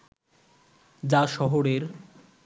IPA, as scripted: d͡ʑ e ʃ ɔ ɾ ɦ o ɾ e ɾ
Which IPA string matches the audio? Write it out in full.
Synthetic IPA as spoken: d͡ʑ a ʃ ɔ ɦ o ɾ e ɾ